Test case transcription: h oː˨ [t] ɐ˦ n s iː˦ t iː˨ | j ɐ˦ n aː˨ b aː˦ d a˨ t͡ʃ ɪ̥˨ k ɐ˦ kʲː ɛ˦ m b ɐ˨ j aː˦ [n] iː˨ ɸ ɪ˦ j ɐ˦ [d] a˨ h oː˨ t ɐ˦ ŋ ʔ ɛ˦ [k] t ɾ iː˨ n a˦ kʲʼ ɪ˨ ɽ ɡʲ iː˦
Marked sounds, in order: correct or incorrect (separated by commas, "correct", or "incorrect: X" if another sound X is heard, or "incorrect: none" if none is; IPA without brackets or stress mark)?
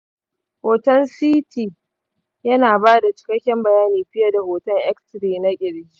correct, correct, correct, correct